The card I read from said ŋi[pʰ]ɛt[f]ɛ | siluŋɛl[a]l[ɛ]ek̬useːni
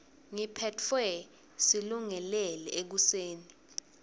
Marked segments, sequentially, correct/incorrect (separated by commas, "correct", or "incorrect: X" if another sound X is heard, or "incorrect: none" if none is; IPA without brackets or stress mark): correct, correct, incorrect: ɛ, correct